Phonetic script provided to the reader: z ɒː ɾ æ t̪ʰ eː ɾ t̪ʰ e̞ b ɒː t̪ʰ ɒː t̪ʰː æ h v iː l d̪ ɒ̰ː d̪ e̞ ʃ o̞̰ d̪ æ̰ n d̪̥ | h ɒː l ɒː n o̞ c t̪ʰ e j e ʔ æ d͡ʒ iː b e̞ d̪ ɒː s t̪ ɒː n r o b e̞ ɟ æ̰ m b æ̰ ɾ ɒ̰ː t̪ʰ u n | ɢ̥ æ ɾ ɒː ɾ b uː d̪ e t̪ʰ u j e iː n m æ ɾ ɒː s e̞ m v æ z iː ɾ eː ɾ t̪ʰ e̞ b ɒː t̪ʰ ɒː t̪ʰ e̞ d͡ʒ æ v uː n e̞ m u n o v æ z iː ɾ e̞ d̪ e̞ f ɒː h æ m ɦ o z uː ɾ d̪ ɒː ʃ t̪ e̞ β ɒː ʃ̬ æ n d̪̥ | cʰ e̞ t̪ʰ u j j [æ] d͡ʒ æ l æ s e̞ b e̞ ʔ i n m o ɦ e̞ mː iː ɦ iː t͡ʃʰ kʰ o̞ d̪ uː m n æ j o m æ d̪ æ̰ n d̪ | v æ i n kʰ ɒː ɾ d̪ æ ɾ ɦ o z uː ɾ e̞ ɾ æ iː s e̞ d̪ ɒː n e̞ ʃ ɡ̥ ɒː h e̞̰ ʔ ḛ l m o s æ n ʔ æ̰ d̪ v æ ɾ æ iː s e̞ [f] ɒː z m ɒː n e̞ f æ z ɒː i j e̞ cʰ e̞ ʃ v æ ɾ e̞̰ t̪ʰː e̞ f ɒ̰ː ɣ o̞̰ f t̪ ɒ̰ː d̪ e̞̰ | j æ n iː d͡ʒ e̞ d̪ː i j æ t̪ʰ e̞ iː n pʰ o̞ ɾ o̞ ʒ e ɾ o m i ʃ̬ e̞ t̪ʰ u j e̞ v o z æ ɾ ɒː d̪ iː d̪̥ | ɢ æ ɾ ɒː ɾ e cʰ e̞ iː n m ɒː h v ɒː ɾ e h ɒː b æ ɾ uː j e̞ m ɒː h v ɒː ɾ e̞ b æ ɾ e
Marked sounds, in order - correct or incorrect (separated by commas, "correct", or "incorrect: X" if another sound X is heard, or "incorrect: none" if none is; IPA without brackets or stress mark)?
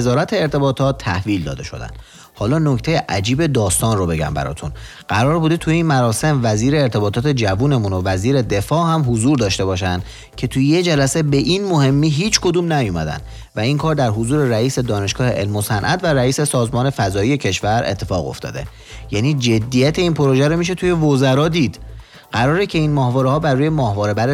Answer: incorrect: e, incorrect: s